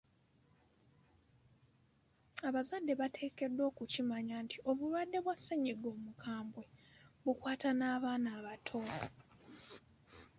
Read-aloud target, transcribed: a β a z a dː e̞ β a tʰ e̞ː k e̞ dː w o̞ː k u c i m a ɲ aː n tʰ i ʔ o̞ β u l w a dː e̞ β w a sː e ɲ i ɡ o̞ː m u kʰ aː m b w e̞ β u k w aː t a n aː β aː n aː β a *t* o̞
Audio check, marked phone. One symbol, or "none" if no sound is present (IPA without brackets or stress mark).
tʰ